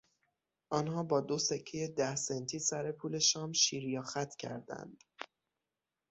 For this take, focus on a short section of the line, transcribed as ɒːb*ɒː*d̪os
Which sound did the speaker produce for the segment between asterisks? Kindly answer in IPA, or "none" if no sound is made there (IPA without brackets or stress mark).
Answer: ɒː